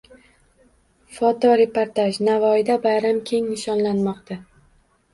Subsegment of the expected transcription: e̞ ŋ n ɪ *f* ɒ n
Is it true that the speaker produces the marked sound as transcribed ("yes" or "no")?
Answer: no